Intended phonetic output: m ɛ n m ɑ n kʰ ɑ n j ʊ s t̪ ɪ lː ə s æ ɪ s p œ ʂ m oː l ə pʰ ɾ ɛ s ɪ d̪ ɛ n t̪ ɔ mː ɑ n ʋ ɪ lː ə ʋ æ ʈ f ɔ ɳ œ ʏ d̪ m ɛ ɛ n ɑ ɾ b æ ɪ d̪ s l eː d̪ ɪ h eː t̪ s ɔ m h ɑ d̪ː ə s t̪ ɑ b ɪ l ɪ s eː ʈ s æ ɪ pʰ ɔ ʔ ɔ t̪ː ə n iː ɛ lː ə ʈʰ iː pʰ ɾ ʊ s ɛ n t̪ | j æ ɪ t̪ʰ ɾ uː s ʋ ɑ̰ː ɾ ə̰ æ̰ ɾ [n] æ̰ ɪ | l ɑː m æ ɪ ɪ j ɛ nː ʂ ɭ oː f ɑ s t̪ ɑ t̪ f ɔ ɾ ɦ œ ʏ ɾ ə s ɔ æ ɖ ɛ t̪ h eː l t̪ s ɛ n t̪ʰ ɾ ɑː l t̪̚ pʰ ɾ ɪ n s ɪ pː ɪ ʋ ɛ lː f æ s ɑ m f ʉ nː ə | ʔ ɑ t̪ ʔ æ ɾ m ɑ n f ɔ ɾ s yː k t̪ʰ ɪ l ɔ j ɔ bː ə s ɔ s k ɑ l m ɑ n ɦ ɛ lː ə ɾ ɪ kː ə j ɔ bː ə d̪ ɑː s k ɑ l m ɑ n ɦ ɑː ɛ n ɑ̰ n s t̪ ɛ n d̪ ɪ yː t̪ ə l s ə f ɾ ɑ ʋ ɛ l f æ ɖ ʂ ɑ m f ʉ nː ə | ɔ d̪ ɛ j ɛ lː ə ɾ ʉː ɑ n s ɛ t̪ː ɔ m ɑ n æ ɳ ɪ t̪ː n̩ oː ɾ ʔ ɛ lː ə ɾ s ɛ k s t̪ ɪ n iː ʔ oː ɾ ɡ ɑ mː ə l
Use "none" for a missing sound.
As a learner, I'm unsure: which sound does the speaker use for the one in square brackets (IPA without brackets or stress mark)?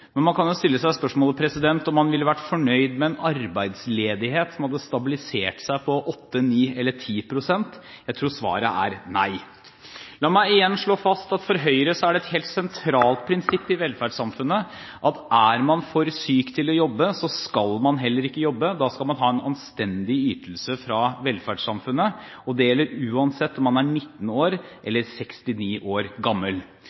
n